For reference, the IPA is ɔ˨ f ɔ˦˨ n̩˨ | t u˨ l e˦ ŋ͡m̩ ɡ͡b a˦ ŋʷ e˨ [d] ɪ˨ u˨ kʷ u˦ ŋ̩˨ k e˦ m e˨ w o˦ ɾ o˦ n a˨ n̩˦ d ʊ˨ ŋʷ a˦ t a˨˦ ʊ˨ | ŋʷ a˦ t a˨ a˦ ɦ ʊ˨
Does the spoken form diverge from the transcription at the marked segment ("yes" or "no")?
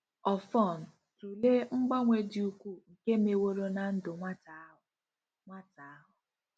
no